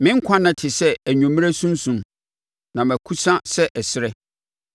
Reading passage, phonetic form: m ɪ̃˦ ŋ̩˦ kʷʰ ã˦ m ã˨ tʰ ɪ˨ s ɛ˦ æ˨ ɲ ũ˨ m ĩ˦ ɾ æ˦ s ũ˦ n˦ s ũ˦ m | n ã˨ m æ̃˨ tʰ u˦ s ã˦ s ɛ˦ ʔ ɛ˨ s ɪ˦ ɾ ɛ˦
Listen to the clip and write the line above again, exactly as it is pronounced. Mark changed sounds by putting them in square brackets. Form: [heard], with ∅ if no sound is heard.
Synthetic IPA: m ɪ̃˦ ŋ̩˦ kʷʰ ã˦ [n] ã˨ tʰ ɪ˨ s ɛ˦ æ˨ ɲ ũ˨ m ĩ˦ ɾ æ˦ s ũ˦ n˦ s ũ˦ m | n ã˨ m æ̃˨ [kʰ] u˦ s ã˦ s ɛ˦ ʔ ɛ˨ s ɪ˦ ɾ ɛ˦